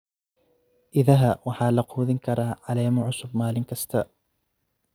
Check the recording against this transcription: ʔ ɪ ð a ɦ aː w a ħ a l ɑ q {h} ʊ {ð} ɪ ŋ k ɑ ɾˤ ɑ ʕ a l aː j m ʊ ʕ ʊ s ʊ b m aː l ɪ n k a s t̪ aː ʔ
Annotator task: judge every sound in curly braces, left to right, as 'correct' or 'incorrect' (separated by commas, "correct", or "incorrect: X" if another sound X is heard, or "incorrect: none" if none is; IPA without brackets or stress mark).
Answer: correct, correct